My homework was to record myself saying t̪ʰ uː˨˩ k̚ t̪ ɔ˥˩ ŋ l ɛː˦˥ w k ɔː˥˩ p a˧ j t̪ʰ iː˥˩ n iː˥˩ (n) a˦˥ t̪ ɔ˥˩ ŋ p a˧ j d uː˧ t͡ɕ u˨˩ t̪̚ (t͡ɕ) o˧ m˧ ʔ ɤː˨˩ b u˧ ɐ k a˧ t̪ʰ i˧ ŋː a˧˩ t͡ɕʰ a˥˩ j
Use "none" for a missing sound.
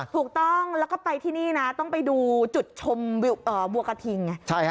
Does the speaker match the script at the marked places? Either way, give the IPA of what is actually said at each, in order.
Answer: n, t͡ɕʰ

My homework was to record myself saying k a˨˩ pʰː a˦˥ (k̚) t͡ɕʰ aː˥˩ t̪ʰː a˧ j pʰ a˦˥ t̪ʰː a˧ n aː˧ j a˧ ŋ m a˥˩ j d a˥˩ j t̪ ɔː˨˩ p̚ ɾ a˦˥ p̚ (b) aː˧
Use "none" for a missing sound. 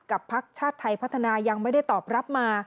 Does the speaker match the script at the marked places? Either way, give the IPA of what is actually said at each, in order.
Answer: k̚, m

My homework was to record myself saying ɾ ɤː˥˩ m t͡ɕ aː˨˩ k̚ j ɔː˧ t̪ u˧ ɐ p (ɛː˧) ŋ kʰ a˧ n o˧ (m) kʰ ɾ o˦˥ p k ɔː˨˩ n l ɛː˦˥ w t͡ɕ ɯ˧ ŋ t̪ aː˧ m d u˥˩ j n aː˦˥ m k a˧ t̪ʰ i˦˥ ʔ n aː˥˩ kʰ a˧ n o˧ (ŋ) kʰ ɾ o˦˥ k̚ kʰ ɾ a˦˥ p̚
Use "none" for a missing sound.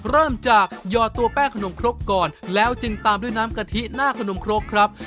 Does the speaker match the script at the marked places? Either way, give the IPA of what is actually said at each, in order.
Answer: ɛː˥˩, m, m

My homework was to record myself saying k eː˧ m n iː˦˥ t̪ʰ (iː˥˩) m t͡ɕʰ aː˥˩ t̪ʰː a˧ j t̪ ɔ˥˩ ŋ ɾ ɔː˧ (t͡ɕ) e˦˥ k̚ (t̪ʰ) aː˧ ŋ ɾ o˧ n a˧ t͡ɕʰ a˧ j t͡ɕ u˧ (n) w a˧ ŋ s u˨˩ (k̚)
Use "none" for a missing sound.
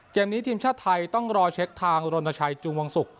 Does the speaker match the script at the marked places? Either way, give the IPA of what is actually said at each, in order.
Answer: iː˧, t͡ɕʰ, t̪ʰ, ŋ, k̚

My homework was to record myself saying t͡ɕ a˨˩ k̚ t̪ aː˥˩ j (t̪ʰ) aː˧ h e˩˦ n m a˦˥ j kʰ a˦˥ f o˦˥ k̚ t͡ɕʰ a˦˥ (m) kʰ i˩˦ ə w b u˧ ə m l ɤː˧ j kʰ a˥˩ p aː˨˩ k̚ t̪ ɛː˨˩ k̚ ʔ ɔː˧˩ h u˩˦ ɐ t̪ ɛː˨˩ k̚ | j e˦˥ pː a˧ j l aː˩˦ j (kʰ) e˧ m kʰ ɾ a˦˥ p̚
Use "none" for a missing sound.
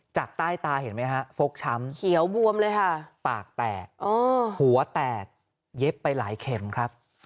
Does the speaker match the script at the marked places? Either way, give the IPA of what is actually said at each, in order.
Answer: t̪, m, kʰ

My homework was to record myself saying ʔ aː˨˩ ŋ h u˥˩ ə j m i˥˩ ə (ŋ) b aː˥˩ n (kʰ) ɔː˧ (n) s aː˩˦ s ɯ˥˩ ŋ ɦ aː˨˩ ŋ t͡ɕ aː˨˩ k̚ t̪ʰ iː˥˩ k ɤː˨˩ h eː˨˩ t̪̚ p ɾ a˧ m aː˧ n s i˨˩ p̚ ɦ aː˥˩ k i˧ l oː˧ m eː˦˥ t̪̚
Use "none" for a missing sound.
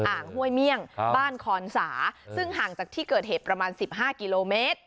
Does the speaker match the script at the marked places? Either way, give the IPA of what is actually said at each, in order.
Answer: ŋ, kʰ, n

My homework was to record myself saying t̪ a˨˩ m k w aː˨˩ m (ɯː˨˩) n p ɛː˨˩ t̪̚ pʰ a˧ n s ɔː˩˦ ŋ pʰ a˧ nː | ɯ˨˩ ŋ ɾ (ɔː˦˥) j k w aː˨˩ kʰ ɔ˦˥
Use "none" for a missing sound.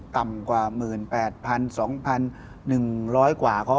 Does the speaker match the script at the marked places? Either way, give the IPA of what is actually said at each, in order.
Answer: ɯː˨˩, ɔː˦˥

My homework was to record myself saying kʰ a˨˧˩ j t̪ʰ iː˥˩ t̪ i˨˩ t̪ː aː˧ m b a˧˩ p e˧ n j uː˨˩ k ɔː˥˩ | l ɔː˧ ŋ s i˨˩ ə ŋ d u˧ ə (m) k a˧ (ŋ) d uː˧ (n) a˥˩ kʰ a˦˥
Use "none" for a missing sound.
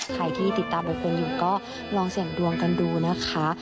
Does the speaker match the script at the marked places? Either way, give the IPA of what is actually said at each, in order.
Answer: ŋ, n, n

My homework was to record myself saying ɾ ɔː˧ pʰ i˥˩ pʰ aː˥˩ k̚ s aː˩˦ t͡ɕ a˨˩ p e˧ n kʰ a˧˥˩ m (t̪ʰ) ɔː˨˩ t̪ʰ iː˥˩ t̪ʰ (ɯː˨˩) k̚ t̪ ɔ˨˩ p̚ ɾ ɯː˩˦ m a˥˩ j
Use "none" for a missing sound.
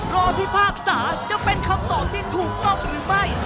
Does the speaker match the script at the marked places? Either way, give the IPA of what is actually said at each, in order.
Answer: t̪, uː˨˩

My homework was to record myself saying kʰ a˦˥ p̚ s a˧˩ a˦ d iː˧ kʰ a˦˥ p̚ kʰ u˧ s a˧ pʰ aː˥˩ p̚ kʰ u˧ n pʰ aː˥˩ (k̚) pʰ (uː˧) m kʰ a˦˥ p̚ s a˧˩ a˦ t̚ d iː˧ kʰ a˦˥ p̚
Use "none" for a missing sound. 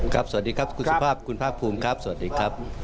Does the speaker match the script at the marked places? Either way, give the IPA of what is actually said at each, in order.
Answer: k̚, uː˧

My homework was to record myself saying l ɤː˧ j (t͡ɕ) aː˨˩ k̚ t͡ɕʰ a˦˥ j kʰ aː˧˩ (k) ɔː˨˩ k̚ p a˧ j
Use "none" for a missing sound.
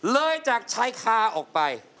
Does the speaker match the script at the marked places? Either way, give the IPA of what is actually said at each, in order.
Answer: t͡ɕ, ʔ

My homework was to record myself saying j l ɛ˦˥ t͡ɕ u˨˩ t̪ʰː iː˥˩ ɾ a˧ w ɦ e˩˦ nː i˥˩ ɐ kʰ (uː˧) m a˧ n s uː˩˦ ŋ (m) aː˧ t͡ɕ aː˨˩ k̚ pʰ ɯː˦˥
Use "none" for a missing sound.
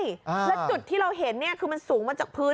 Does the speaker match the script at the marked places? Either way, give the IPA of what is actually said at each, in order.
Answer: ɯː˧, m

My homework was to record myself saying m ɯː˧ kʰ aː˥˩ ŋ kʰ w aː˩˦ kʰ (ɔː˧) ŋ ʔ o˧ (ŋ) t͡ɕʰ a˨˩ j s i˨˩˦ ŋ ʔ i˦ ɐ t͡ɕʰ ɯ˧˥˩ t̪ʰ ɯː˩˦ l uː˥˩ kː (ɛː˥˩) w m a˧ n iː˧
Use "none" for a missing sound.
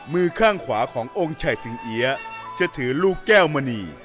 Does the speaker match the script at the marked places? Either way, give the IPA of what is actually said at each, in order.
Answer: ɔː˩˦, ŋ, ɛː˥˩

